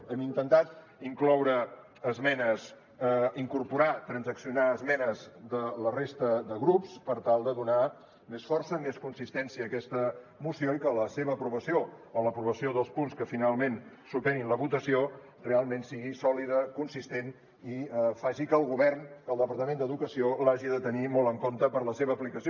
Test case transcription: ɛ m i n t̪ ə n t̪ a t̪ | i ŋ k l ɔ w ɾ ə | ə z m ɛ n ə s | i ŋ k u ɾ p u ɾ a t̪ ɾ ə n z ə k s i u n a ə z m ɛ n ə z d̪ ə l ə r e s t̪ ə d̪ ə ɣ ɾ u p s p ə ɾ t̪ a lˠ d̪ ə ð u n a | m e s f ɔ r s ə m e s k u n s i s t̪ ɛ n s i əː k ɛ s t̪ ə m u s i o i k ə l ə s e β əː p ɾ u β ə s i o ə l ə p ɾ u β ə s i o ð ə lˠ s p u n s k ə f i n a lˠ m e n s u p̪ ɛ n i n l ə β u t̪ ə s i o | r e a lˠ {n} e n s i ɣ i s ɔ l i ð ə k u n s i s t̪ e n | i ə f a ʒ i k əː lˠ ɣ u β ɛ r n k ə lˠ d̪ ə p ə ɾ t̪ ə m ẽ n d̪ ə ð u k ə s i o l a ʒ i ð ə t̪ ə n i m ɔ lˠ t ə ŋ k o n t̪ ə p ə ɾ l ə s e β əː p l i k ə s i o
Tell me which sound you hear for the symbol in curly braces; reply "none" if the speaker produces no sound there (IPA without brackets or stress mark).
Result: m